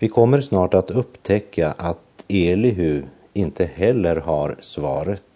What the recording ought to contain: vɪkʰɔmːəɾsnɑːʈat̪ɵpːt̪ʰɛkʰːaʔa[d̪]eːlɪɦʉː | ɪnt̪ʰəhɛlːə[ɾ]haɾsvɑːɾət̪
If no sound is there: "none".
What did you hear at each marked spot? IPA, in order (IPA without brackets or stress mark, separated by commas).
t̪, ɾ